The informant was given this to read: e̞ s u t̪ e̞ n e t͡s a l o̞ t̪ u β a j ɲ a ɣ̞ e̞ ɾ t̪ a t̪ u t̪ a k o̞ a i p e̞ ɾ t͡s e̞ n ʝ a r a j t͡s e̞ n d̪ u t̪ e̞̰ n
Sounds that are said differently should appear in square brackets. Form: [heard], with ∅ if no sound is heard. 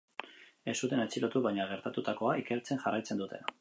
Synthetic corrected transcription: e̞ s u t̪ e̞ n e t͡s [i] l o̞ t̪ u β a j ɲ a ɣ̞ e̞ ɾ t̪ a t̪ u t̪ a k o̞ a i [k] e̞ ɾ t͡s e̞ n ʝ a r a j t͡s e̞ n d̪ u t̪ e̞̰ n